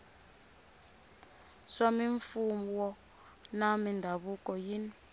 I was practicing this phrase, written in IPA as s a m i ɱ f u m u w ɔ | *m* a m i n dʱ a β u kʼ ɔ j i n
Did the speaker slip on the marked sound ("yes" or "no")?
yes